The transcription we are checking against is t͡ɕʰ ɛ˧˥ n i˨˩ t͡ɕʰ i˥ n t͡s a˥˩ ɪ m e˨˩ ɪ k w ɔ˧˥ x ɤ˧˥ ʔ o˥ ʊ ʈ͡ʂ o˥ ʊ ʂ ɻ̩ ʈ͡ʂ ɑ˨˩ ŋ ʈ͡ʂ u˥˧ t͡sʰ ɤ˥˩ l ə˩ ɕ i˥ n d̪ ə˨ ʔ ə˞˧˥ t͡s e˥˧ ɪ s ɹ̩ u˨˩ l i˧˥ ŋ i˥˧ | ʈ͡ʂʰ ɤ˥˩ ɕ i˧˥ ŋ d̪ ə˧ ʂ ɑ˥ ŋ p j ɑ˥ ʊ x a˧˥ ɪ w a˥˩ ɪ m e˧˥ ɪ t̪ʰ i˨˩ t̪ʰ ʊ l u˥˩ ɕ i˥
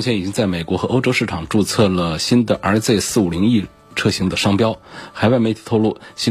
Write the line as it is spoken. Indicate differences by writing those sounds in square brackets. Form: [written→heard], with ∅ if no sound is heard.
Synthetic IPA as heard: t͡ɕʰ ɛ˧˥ n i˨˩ [t͡ɕʰ→t͡ɕ] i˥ [n→ŋ] t͡s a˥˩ ɪ m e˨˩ ɪ k w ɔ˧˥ x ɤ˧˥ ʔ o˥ ʊ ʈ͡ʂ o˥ ʊ ʂ ɻ̩ [ʈ͡ʂ→ʈ͡ʂʰ] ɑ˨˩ ŋ ʈ͡ʂ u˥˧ t͡sʰ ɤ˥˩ l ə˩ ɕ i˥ n d̪ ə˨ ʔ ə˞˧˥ t͡s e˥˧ ɪ s ɹ̩ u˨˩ l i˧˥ ŋ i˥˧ | ʈ͡ʂʰ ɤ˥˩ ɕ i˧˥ ŋ d̪ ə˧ ʂ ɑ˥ ŋ p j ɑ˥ ʊ x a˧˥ ɪ w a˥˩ ɪ m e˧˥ ɪ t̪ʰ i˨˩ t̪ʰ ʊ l u˥˩ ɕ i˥